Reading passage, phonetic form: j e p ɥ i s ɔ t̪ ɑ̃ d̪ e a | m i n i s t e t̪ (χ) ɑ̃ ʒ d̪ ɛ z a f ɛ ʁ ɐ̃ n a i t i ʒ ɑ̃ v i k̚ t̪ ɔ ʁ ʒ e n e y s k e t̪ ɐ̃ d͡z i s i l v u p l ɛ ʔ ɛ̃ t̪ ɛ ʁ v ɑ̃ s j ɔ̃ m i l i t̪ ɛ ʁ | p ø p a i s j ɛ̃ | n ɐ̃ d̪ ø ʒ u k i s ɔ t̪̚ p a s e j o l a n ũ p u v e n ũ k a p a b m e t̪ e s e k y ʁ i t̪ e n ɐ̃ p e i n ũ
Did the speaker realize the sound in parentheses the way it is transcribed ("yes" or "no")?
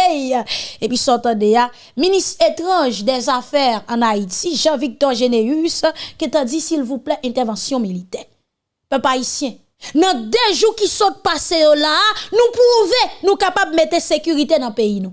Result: no